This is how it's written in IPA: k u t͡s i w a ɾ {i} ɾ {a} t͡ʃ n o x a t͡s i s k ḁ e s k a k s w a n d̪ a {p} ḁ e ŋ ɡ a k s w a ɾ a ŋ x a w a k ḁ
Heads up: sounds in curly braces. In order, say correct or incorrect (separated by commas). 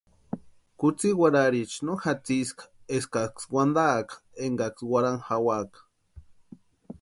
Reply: incorrect, incorrect, incorrect